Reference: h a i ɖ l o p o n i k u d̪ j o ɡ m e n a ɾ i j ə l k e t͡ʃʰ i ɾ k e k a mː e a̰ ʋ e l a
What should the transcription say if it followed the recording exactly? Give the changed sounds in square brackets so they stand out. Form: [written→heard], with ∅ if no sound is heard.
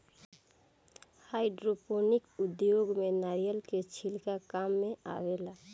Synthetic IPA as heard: h a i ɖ [l→ɾ] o p o n i k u d̪ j o ɡ m e n a ɾ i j ə l k e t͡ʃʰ i [ɾ→l] k [e→a] k a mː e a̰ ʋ e l a